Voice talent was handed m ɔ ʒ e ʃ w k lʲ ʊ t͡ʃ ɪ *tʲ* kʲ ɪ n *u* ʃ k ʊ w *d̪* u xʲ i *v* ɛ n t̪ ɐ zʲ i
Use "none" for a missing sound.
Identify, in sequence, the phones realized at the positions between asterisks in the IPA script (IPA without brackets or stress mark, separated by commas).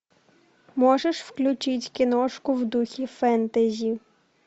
tʲ, ɔ, d̪, f